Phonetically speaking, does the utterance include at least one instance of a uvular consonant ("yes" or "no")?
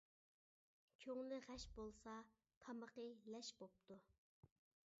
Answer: yes